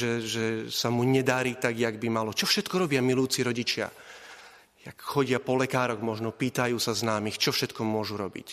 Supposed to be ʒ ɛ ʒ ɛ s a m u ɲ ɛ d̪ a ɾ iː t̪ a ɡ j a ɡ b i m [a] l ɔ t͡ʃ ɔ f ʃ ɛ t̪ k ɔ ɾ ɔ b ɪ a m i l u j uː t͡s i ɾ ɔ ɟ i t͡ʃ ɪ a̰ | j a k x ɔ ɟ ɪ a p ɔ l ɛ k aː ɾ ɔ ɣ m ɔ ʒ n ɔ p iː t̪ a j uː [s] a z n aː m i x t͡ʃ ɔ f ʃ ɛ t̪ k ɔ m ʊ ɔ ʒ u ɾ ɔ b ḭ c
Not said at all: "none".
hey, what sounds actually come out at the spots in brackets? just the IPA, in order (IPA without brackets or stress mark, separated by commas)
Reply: a, s